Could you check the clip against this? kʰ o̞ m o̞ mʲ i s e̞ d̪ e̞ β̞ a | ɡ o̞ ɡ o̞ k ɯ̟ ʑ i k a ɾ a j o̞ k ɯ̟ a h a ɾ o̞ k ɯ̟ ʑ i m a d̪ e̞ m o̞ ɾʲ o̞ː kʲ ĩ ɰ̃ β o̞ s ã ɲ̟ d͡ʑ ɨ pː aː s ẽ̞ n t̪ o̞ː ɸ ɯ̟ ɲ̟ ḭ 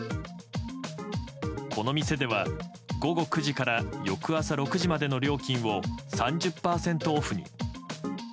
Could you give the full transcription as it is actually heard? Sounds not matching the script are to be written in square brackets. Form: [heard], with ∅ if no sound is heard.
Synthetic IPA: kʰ o̞ [n] o̞ mʲ i s e̞ d̪ e̞ β̞ a | ɡ o̞ ɡ o̞ k ɯ̟ ʑ i k a ɾ a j o̞ k ɯ̟ a [s] a ɾ o̞ k ɯ̟ ʑ i m a d̪ e̞ [n] o̞ ɾʲ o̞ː kʲ ĩ ɰ̃ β o̞ s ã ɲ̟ d͡ʑ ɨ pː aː s ẽ̞ n t̪ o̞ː ɸ ɯ̟ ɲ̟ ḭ

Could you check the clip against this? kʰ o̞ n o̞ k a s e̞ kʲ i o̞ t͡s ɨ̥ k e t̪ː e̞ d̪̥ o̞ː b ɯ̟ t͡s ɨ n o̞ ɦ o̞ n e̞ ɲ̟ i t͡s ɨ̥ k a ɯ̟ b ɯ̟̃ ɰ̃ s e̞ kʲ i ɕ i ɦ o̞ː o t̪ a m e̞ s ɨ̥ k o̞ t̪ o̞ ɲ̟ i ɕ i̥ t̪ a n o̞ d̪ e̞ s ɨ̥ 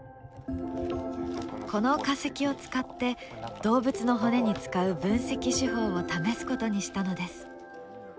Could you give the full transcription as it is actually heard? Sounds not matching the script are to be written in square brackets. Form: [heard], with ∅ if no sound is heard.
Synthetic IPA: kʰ o̞ n o̞ k a s e̞ kʲ i o̞ t͡s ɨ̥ k [a] t̪ː e̞ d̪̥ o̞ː b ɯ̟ t͡s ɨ n o̞ ɦ o̞ n e̞ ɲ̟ i t͡s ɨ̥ k a ɯ̟ b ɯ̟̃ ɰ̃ s e̞ kʲ i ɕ i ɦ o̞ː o t̪ a m e̞ s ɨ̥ k o̞ t̪ o̞ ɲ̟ i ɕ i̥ t̪ a n o̞ d̪ e̞ s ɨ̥

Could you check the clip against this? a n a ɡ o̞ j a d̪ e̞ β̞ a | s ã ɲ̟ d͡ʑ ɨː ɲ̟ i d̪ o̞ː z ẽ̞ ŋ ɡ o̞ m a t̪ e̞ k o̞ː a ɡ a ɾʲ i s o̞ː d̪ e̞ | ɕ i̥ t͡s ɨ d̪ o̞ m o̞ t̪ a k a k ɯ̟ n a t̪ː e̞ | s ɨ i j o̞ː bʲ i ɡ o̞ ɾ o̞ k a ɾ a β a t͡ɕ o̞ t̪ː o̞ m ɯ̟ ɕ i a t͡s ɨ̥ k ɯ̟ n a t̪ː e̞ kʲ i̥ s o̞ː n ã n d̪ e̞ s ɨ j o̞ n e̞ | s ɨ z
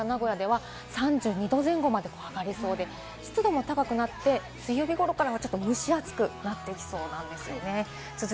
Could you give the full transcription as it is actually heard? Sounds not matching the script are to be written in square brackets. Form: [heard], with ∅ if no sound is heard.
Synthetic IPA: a n a ɡ o̞ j a d̪ e̞ β̞ a | s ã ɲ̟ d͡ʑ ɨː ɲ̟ i d̪ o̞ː z ẽ̞ ŋ ɡ o̞ m a [d̪] e̞ k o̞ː a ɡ a ɾʲ i s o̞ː d̪ e̞ | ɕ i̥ t͡s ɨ d̪ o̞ m o̞ t̪ a k a k ɯ̟ n a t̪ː e̞ | s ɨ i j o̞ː bʲ i ɡ o̞ ɾ o̞ k a ɾ a β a t͡ɕ o̞ t̪ː o̞ m ɯ̟ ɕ i a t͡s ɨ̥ k ɯ̟ n a t̪ː e̞ kʲ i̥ s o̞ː n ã n d̪ e̞ s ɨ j o̞ n e̞ | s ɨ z

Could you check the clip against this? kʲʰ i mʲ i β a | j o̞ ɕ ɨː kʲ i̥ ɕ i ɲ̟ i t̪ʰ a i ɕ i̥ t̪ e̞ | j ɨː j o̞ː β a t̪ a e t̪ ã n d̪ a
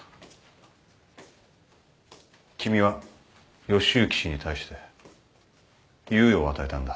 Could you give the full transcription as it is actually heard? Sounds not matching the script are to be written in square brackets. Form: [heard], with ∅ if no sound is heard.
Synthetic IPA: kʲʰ i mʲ i β a | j o̞ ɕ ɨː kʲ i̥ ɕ i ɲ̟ i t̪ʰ a i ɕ i̥ t̪ e̞ | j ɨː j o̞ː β a t̪ a e t̪ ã n d̪ a

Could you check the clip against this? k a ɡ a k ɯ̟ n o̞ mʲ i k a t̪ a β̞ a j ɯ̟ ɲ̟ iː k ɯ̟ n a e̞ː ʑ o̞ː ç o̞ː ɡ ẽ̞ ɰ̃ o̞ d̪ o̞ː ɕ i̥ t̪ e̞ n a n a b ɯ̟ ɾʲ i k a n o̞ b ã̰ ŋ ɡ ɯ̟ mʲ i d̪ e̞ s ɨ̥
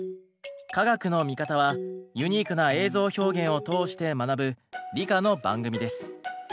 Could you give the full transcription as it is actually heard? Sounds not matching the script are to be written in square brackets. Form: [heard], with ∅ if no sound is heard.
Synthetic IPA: k a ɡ a k ɯ̟ n o̞ mʲ i k a t̪ a β̞ a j ɯ̟ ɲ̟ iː k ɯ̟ n a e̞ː [z] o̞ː ç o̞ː ɡ ẽ̞ ɰ̃ o̞ [t̪] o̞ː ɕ i̥ t̪ e̞ [m] a n a b ɯ̟ ɾʲ i k a n o̞ b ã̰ ŋ ɡ ɯ̟ mʲ i d̪ e̞ s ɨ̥

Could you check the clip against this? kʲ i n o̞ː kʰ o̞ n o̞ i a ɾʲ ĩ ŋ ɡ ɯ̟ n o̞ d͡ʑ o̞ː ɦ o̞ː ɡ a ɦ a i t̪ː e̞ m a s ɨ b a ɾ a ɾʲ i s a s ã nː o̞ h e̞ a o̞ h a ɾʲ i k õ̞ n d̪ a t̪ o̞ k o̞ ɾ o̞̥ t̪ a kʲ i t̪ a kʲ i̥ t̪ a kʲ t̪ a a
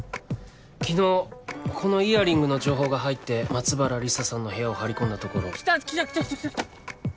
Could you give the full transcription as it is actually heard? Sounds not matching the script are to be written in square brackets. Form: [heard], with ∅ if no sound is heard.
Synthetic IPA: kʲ i n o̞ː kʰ o̞ n o̞ i a ɾʲ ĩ ŋ ɡ ɯ̟ n o̞ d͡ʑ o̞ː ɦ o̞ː ɡ a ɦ a i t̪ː e̞ m a [t͡s] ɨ b a ɾ a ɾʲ i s a s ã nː o̞ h e̞ a o̞ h a ɾʲ i k õ̞ n d̪ a t̪ o̞ k o̞ ɾ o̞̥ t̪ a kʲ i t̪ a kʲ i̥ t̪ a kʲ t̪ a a

